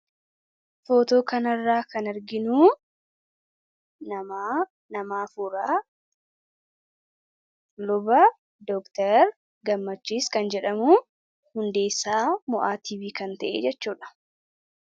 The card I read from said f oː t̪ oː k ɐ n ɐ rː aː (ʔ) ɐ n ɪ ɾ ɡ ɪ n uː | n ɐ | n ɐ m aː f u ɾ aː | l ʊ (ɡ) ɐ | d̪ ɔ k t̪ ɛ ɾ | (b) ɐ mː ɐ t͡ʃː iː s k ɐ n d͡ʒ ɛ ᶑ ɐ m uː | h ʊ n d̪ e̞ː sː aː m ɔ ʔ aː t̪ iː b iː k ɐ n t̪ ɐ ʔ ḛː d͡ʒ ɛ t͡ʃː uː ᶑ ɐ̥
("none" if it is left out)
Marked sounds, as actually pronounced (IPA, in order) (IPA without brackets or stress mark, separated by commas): k, b, ɡ